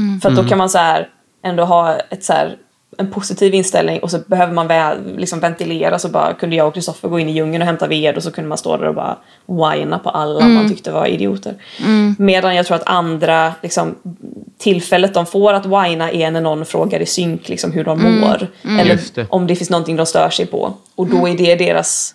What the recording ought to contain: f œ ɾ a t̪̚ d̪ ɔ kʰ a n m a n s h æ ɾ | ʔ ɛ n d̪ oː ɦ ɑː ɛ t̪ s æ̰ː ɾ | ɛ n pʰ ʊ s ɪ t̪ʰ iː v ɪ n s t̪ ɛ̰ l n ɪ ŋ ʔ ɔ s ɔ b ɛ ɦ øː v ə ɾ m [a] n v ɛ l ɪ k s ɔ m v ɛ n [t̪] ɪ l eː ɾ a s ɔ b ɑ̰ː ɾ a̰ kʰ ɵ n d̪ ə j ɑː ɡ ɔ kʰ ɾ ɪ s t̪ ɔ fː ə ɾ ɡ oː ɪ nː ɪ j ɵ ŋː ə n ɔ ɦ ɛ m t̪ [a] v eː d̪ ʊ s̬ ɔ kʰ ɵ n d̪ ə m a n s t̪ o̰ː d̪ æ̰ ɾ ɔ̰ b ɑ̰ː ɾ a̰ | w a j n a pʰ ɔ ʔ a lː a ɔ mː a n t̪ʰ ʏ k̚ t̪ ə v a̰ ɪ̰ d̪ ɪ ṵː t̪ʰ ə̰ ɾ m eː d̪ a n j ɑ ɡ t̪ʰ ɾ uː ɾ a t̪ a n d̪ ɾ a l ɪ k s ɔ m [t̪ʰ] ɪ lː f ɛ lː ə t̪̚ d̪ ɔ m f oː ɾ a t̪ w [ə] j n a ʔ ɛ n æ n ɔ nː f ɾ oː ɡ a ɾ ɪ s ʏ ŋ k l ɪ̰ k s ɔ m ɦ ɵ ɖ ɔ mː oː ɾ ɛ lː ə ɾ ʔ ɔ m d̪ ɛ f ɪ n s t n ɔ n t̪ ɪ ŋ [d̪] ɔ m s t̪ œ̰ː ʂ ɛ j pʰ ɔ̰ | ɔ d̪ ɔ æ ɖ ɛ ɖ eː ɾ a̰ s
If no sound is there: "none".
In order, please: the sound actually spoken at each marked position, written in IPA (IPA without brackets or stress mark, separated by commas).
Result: a, t̪, a, t̪ʰ, a, d̪